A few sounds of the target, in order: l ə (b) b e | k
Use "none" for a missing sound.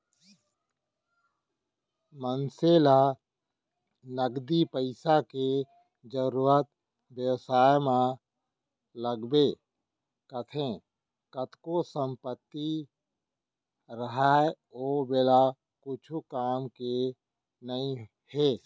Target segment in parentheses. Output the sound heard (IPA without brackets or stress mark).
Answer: ɡ